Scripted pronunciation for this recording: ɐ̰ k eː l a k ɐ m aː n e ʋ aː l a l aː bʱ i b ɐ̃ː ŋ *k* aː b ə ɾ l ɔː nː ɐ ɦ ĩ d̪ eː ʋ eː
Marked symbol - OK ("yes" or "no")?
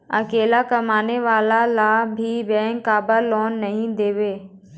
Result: yes